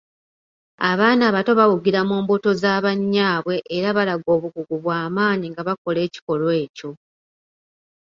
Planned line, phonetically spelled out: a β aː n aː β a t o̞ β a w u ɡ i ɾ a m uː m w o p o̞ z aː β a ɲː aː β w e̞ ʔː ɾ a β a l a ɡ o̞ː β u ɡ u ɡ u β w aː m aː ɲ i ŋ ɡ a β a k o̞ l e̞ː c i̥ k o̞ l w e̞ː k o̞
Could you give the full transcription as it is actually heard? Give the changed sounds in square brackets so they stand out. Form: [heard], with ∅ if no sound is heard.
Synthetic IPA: a β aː n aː β a t o̞ β a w u ɡ i ɾ a m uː m [b] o [t] o̞ z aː β a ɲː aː β w e̞ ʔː ɾ a β a l a ɡ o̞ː β u ɡ u ɡ u β w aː m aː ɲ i ŋ ɡ a β a k o̞ l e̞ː c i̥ k o̞ l w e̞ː [c] o̞